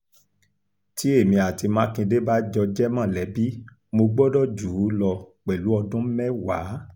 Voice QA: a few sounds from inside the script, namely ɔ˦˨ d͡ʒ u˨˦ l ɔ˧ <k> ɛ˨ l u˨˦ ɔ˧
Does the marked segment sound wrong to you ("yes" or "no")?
yes